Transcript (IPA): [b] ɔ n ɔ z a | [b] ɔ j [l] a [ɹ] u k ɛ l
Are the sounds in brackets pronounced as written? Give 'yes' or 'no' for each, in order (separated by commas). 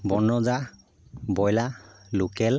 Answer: yes, yes, yes, no